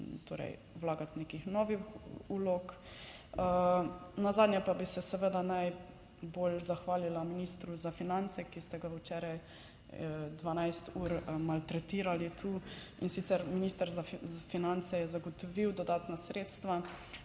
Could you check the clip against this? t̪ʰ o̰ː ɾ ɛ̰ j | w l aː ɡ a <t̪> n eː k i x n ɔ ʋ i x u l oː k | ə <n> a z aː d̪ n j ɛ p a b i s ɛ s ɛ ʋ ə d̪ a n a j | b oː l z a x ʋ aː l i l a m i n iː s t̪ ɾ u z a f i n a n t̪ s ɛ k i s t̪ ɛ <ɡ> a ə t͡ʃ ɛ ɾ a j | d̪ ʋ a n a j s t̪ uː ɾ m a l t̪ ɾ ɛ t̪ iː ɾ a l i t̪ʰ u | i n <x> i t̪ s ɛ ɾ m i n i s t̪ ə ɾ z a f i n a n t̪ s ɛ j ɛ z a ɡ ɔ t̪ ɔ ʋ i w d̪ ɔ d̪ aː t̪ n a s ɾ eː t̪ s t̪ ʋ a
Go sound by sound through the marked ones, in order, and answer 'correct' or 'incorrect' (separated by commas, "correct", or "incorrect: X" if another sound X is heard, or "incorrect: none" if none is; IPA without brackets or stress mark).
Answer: correct, correct, correct, incorrect: s